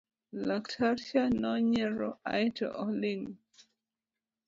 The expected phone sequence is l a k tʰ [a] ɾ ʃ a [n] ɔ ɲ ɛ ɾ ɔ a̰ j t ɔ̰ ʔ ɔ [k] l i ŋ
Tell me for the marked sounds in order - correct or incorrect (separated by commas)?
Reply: correct, correct, incorrect